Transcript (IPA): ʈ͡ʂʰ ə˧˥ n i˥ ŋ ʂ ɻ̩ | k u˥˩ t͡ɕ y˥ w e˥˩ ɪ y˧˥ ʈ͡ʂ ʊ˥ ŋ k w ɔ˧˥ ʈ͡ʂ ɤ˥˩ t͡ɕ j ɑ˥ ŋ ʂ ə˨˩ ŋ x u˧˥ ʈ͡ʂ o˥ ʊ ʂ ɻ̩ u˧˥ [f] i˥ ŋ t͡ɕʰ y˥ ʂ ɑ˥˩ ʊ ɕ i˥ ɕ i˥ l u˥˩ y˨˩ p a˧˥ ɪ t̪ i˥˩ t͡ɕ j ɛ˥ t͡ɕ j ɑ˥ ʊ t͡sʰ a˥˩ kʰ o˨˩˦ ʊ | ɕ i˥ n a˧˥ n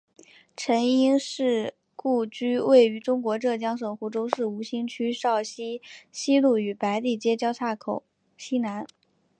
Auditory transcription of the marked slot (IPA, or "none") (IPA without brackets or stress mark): ɕ